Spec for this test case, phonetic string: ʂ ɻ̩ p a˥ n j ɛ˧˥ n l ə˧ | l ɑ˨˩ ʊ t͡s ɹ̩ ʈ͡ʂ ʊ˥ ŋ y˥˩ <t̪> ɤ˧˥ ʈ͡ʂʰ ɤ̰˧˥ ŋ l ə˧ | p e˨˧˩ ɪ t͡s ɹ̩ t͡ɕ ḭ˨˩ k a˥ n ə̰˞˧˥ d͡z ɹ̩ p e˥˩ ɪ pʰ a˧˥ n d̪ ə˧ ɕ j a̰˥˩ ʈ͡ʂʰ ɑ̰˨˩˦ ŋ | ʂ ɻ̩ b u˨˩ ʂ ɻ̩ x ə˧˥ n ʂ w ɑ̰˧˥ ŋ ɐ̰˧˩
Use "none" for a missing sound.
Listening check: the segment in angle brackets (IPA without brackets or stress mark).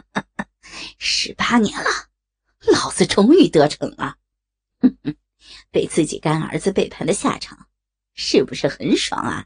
t̪